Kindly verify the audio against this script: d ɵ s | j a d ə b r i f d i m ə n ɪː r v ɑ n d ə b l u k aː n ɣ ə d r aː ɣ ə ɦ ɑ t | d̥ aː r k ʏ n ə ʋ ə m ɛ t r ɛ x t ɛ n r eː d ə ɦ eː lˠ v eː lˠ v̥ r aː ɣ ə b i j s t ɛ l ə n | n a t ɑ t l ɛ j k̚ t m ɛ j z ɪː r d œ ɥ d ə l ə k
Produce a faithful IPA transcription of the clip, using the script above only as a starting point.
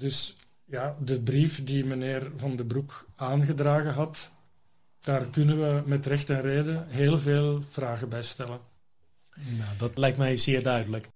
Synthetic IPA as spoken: d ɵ s | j a d ə b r i f d i m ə n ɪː r v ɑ n d ə b r u k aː n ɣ ə d r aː ɣ ə ɦ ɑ t | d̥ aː r k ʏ n ə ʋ ə m ɛ t r ɛ x t ɛ n r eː d ə ɦ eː lˠ v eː lˠ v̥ r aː ɣ ə b ɛ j s t ɛ l ə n | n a d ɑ t l ɛ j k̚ t m ɛ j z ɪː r d œ ɥ d ə l ə k